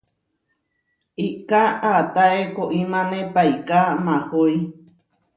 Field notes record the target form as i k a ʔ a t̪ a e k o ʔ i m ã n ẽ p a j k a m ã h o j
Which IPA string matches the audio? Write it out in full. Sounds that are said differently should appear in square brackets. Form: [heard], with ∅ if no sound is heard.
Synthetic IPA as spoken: i k a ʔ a t̪ a e k o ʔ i m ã n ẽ p a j k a m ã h o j